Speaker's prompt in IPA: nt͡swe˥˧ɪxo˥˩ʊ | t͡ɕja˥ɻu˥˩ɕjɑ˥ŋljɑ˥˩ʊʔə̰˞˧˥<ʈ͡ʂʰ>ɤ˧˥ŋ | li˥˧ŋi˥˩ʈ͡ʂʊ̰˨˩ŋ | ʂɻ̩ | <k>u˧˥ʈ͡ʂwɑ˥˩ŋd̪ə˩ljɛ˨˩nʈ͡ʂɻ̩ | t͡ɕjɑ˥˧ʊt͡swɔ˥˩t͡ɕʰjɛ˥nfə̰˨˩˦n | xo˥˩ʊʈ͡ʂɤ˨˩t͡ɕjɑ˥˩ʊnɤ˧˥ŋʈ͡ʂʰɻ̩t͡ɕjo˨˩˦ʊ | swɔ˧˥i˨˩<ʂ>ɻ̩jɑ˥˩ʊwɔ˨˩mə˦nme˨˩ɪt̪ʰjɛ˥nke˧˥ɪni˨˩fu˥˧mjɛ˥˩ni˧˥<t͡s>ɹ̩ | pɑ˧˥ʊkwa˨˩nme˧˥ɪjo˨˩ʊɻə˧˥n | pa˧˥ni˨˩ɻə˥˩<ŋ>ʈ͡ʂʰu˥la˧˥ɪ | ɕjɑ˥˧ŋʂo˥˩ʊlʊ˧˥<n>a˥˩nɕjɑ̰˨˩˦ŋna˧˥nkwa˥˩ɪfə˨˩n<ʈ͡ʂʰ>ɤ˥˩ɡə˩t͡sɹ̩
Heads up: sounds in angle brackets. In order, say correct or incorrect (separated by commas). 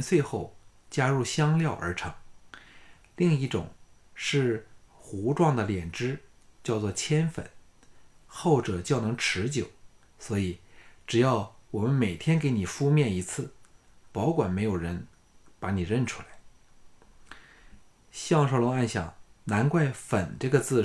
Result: correct, incorrect, incorrect, incorrect, incorrect, incorrect, incorrect